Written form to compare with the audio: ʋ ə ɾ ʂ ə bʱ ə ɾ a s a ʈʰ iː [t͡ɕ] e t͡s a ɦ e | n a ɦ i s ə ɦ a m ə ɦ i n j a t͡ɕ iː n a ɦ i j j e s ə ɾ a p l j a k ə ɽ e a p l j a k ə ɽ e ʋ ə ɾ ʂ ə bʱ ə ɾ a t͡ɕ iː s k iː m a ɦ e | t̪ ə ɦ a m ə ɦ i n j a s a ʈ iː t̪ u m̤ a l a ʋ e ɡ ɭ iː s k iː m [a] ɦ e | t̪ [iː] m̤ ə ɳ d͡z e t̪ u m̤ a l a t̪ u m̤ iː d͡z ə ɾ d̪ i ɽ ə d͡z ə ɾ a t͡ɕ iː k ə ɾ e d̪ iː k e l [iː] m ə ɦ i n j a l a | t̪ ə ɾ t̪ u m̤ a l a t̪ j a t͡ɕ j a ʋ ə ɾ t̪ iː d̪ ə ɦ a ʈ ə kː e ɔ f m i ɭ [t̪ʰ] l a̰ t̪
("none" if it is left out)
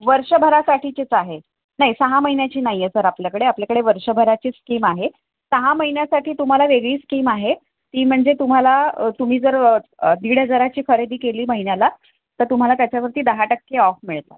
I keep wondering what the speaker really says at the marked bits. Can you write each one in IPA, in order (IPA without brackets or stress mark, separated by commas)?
t͡ɕ, a, iː, iː, t̪